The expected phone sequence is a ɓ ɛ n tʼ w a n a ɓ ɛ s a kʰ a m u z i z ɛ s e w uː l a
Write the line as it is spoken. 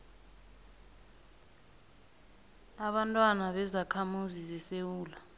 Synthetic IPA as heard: a ɓ a n tʼ w a n a ɓ ɛ z a kʰ a m u z i z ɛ s e w uː l a